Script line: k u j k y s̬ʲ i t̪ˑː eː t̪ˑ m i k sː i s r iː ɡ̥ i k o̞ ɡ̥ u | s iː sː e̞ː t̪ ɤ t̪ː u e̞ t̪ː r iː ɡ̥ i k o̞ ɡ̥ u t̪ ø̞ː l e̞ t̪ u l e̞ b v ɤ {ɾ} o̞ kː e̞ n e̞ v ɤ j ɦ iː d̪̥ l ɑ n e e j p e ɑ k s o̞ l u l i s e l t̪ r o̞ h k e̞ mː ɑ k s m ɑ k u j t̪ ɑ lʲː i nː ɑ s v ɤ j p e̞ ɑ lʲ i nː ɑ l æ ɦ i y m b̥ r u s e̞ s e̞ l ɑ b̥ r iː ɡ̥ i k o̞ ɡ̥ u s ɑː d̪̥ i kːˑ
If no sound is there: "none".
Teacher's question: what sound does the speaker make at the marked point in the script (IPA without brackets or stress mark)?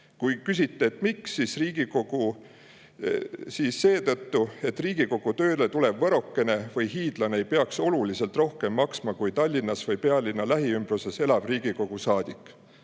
ɾ